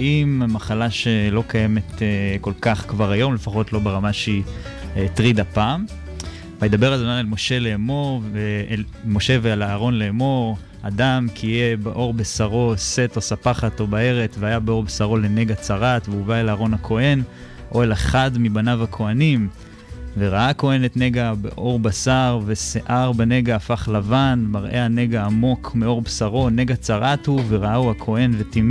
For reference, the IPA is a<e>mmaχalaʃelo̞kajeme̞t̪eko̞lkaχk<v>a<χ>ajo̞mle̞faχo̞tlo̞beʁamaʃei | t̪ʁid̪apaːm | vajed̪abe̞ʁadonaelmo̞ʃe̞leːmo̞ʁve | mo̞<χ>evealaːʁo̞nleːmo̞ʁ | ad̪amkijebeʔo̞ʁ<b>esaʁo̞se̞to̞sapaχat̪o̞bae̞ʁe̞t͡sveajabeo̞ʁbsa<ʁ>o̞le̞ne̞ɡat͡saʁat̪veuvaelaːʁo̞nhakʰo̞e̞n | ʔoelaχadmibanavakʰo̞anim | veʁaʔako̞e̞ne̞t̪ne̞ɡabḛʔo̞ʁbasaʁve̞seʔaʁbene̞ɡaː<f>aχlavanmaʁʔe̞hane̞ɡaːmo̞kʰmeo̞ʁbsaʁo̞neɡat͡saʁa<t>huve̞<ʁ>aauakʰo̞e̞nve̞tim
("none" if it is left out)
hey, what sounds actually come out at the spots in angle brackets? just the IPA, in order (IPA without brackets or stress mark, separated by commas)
i, v, ʁ, ʃ, b, ʁ, f, t, ʁ